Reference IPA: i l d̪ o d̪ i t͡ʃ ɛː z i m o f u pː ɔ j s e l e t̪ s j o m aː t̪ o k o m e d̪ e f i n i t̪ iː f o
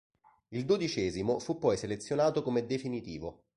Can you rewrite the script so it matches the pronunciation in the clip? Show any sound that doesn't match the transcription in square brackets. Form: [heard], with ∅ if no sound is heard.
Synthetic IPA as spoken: i l d̪ o d̪ i t͡ʃ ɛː z i m o f u pː ɔ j s e l e t̪ s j o [n] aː t̪ o k o m e d̪ e f i n i t̪ iː [v] o